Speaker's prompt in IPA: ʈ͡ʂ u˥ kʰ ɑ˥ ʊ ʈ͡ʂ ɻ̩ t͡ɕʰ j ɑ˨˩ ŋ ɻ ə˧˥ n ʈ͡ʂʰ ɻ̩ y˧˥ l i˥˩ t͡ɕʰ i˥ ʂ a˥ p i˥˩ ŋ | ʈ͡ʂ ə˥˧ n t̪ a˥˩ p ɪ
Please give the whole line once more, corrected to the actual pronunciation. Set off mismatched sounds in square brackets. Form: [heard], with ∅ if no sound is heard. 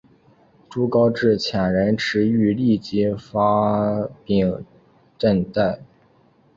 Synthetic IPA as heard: ʈ͡ʂ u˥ [k] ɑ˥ ʊ ʈ͡ʂ ɻ̩ t͡ɕʰ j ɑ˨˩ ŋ ɻ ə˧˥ n ʈ͡ʂʰ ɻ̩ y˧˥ l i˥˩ [t͡ɕ] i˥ [f] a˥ p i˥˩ ŋ | ʈ͡ʂ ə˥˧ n t̪ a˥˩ [∅] ɪ

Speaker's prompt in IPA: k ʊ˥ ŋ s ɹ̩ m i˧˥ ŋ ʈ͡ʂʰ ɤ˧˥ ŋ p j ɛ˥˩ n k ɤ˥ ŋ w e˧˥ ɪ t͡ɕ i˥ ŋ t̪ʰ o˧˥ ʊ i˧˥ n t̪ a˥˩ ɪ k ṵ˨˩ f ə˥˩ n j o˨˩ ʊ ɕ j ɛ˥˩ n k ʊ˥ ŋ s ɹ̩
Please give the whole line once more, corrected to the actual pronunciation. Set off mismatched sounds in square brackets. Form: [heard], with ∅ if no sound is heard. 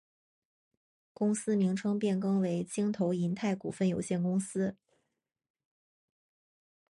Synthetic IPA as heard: k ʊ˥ ŋ s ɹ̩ m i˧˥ ŋ ʈ͡ʂʰ [ɤ˥] ŋ p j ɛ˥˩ n k ɤ˥ ŋ w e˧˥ ɪ t͡ɕ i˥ ŋ t̪ʰ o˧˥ ʊ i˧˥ n [t̪ʰ] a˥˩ ɪ k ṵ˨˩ f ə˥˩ n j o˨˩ ʊ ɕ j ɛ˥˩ n k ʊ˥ ŋ s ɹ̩

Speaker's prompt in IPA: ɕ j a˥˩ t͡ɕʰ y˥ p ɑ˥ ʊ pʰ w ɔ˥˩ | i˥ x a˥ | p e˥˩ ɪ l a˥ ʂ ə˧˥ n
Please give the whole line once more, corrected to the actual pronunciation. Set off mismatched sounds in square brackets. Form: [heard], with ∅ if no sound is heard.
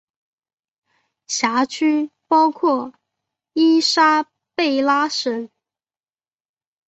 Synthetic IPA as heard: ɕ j [a˧˥] t͡ɕʰ y˥ p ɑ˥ ʊ [kʰ] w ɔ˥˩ | i˥ [ʂ] a˥ | p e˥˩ ɪ l a˥ ʂ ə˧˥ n

